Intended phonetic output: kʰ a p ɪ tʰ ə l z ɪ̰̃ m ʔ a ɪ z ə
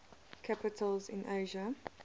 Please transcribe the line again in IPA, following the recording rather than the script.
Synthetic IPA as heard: kʰ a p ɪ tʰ ə l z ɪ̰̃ n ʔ e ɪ ʒ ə